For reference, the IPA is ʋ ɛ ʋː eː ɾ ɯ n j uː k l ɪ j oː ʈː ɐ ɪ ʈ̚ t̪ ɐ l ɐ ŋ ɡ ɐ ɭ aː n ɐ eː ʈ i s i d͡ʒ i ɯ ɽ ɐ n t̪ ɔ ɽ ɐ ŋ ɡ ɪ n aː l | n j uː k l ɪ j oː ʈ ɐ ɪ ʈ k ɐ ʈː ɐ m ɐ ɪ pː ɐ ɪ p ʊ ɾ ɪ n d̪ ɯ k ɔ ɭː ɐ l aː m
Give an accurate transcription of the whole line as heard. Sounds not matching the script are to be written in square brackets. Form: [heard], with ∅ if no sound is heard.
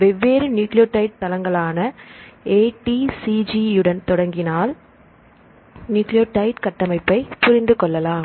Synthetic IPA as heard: ʋ ɛ ʋː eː ɾ ɯ n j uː k l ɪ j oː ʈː ɐ ɪ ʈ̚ t̪ ɐ l ɐ ŋ ɡ ɐ ɭ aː n ɐ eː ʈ i s i d͡ʒ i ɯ ɽ ɐ n t̪ ɔ ɽ ɐ ŋ ɡ ɪ n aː l | n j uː k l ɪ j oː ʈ ɐ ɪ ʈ k ɐ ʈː ɐ m ɐ ɪ pː ɐ ɪ p ʊ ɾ ɪ n d̪ ɯ k ɔ ɭː ɐ l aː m